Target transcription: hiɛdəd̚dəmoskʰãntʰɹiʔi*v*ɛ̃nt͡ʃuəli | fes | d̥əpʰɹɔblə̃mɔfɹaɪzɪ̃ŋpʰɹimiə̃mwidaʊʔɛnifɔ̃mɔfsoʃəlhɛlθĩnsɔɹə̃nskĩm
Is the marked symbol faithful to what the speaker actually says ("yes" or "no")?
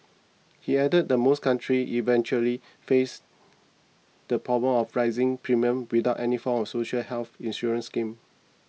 yes